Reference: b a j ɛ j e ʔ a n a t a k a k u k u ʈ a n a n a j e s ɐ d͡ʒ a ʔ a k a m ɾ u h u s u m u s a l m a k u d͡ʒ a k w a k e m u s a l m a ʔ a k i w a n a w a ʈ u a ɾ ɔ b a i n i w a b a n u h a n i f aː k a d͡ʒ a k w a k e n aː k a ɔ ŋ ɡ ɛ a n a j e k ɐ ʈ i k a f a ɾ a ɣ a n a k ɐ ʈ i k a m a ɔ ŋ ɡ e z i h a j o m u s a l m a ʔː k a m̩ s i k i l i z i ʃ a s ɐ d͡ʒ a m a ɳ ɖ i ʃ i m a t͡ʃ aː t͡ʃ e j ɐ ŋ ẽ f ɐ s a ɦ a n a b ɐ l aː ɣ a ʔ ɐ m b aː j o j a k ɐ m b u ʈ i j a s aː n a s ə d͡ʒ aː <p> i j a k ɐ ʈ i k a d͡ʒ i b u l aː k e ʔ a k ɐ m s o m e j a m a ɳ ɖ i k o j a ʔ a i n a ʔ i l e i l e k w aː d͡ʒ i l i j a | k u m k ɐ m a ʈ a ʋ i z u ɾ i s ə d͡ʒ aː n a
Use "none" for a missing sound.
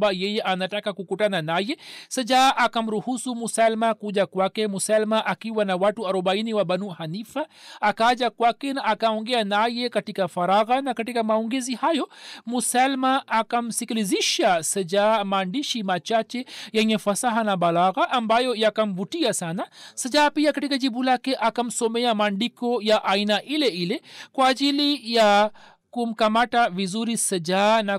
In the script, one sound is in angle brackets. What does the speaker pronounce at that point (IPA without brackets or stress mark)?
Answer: p